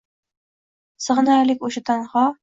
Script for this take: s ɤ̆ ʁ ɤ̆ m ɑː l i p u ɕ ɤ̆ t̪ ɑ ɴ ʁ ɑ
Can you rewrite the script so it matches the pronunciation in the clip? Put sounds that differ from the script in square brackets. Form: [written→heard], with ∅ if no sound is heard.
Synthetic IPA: s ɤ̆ ʁ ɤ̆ [m→n] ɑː l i [p→k] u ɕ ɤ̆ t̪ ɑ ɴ ʁ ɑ

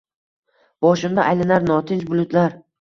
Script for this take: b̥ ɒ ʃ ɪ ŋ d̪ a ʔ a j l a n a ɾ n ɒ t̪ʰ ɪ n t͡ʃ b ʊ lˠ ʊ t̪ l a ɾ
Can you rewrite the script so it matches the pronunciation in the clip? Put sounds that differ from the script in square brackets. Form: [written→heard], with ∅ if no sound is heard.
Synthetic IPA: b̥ ɒ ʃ ɪ [ŋ→m] d̪ a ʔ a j l a n a ɾ n ɒ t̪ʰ ɪ n t͡ʃ b ʊ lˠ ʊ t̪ l a ɾ

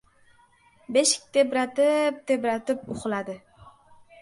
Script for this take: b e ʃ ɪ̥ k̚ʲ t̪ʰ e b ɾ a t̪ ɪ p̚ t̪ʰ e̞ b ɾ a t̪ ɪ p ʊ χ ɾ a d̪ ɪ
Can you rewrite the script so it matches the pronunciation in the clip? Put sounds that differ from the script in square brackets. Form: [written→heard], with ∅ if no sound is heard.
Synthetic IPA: b e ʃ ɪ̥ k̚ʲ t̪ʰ e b ɾ a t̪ ɪ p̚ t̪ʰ e̞ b ɾ a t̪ ɪ p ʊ χ [ɾ→l] a d̪ ɪ

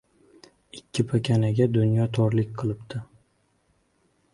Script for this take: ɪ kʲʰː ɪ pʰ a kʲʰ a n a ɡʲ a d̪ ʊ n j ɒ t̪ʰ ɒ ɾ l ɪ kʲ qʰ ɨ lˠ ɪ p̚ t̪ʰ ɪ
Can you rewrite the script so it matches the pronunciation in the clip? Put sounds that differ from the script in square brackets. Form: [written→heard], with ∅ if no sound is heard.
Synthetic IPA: ɪ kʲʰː ɪ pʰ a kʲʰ a n a ɡʲ a d̪ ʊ n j ɒ t̪ʰ ɒ ɾ l ɪ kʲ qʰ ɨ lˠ ɪ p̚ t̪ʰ ɪ

